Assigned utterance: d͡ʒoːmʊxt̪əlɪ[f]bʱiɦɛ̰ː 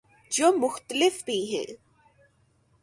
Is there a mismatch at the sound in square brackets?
no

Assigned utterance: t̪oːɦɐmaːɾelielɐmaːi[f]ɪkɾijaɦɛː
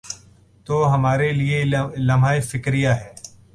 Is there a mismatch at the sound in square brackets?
no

